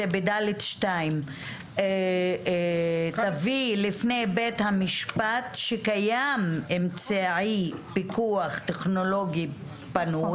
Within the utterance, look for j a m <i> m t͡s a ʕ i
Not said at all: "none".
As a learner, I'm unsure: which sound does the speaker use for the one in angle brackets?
e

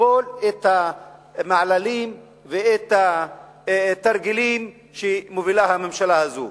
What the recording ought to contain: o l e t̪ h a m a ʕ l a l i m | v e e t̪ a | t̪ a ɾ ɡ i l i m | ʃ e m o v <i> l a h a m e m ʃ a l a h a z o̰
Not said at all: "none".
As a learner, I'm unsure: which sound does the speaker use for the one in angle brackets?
i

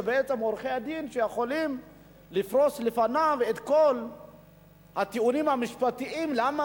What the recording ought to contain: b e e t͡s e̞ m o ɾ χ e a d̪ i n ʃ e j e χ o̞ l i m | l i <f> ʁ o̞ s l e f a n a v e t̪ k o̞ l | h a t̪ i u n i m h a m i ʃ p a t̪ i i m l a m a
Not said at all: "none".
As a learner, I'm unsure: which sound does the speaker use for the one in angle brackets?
f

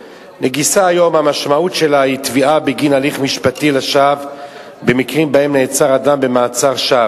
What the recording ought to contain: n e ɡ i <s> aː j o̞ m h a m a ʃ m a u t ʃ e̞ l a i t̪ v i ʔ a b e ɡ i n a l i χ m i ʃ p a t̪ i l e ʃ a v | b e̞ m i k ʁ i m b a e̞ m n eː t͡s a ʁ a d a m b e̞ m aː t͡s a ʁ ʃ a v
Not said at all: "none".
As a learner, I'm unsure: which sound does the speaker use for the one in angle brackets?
s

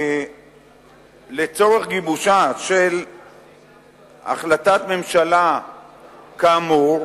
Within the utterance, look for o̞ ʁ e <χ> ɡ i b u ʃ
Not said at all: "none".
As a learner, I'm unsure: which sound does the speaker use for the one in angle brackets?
χ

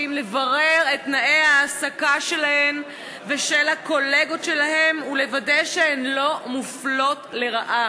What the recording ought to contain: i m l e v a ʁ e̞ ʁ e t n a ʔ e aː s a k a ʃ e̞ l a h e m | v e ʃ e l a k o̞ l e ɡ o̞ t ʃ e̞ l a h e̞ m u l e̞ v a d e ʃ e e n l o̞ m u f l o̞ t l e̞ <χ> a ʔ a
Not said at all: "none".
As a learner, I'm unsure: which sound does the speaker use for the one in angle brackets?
ʁ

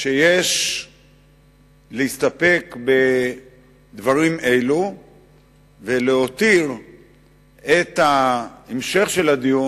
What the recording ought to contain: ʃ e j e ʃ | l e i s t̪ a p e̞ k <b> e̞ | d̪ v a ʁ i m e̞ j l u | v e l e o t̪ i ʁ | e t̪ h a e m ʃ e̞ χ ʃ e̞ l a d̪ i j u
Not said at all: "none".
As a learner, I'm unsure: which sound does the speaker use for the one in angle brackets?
b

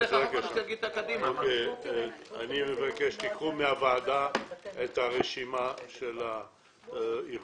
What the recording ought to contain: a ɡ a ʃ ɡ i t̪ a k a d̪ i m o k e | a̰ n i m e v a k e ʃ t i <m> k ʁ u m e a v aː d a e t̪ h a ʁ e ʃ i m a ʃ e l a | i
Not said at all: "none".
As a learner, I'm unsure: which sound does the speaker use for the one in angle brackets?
none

